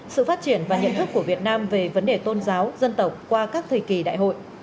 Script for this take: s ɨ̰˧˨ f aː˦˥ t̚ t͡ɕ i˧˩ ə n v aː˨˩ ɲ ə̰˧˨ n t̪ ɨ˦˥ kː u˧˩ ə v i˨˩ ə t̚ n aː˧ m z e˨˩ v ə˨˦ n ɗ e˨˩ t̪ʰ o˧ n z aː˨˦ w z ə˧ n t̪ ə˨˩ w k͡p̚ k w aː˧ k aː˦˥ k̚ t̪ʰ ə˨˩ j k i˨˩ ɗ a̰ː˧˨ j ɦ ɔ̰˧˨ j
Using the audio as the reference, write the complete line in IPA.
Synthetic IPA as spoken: s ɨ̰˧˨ f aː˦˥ t̚ t͡ɕ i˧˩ ə n v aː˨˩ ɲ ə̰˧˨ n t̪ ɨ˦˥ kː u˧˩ ə v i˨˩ ə t̚ n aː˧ m v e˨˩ v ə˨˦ n ɗ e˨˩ t̪ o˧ n z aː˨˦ w z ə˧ n t̪ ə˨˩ w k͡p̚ k w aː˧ k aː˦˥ k̚ t̪ʰ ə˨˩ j k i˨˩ ɗ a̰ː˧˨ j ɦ o̰˧˨ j

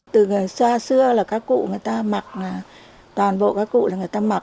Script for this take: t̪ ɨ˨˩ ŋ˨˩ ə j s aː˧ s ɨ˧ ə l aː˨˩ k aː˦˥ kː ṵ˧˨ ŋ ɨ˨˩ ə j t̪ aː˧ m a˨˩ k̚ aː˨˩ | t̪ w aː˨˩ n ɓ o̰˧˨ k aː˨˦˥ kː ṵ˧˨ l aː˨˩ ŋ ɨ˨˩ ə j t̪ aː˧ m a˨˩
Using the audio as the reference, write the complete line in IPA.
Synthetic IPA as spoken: t̪ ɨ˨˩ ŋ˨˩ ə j s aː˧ s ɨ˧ ə l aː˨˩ k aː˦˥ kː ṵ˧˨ ŋ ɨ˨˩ ə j t̪ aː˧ m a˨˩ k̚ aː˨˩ | t̪ w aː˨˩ n ɓ o̰˧˨ k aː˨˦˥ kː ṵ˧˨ l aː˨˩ ŋ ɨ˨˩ ə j t̪ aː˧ m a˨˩

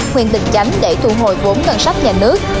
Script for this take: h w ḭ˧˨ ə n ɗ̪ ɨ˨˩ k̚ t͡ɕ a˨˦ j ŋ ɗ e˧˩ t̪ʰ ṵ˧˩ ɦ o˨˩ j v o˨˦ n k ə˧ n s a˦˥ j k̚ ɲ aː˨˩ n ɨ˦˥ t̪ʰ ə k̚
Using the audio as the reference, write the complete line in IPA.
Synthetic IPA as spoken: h w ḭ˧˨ ə n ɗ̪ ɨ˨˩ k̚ t͡ɕ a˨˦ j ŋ ɗ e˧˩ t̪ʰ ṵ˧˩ ɦ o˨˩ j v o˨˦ n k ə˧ n s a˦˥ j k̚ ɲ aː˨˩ n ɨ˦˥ ə k̚

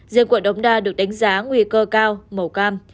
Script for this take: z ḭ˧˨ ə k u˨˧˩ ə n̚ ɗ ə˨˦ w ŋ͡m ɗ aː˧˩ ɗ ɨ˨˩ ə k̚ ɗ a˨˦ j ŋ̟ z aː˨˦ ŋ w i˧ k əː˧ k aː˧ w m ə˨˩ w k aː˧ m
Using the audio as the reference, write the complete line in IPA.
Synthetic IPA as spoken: z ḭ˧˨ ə k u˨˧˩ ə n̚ ɗ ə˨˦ w ŋ͡m ɗ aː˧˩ ɗ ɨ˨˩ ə k̚ ɗ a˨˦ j ŋ̟ z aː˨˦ ŋ w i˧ k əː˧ k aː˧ w m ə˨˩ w k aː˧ m

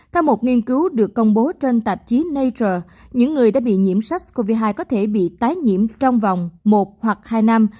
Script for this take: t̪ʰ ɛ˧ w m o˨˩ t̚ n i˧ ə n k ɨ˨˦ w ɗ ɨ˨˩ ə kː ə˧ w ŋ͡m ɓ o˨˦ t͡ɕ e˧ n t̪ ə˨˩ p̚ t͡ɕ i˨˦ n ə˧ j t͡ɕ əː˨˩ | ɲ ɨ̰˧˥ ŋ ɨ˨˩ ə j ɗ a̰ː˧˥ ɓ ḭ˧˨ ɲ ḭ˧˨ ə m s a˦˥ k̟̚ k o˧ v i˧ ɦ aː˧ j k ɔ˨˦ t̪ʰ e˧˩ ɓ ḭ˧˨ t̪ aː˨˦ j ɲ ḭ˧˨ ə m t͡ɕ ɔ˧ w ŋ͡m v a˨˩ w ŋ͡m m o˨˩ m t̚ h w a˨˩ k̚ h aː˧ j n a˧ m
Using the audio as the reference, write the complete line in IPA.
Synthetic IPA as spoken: t̪ʰ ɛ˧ w m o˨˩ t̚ ŋ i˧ ə n k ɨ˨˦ w ɗ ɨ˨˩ ə kː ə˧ w ŋ͡m ɓ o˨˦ t͡ɕ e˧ n t̪ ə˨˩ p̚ t͡ɕ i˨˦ n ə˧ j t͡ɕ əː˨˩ | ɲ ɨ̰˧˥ ŋː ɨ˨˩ ə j ɗ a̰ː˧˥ ɓ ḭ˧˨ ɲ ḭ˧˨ ə m s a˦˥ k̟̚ k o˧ v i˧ ɦ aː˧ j k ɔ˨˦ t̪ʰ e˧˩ ɓ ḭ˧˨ t̪ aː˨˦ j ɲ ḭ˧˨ ə m t͡ɕ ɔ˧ w ŋ͡m v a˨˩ w ŋ͡m m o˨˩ t̚ h w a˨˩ k̚ h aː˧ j n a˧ m

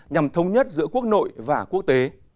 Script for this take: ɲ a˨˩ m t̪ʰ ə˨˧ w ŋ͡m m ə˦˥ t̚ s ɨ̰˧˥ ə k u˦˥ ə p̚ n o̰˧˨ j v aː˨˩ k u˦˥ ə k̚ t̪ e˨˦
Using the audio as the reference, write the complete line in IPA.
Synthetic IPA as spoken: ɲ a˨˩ m t̪ʰ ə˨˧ w ŋ͡m ɲ ə˦˥ t̚ z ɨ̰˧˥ ə k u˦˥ ə k̚ n o̰˧˨ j v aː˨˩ k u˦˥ ə k̚ t̪ e˨˦

